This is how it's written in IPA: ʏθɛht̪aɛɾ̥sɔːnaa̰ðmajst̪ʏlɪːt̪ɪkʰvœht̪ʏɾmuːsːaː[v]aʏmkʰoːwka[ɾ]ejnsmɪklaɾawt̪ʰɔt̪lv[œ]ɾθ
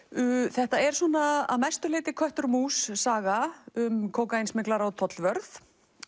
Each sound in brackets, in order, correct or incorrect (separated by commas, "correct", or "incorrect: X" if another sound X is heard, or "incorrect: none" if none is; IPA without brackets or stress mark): incorrect: ɣ, incorrect: none, correct